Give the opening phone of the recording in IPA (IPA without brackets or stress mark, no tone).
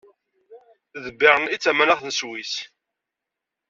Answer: ð